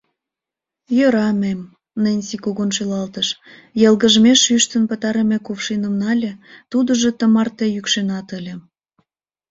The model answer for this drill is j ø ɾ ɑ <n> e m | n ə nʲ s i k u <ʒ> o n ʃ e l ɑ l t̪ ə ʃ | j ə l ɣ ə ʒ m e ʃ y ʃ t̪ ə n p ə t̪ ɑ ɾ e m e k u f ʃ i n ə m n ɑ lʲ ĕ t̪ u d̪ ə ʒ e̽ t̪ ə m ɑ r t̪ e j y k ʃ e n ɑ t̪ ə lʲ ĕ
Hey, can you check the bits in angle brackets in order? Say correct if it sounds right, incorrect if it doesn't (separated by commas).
incorrect, incorrect